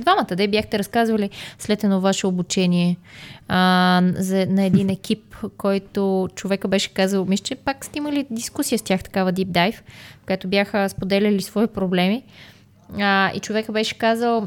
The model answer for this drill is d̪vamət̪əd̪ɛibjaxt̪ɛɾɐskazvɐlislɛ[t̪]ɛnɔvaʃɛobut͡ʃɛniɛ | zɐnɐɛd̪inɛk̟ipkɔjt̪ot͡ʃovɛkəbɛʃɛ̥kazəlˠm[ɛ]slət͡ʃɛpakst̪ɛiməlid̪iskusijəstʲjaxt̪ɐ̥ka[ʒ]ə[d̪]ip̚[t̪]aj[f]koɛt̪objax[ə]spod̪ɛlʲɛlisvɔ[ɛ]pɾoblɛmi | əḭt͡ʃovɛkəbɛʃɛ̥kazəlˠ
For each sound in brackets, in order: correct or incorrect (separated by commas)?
correct, incorrect, incorrect, correct, incorrect, correct, correct, incorrect